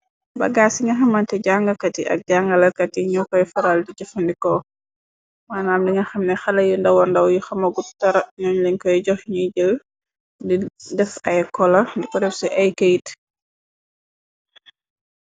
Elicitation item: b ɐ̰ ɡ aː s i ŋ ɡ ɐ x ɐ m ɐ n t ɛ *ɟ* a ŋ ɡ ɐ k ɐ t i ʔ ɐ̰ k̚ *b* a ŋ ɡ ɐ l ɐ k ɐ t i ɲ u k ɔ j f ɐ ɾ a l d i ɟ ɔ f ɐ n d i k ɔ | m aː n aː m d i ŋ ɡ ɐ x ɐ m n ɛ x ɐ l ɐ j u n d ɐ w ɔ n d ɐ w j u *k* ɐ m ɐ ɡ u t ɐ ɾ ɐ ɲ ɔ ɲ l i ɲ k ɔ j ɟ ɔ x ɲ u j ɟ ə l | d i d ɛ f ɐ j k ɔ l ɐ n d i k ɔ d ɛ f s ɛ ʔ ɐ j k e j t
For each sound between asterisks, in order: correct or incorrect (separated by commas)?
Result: correct, incorrect, incorrect